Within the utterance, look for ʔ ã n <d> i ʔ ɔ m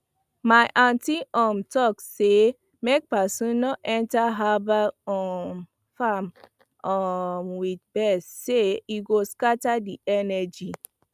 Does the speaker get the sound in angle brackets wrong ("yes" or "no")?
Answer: yes